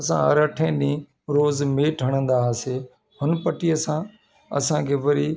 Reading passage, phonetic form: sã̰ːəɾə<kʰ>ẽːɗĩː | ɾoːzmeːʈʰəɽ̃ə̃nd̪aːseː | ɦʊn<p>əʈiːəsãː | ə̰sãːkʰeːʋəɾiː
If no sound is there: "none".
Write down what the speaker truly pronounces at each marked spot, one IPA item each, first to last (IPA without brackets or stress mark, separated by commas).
ʈʰ, p